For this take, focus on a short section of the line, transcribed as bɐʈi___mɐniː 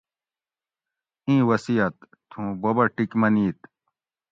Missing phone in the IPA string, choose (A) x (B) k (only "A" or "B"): B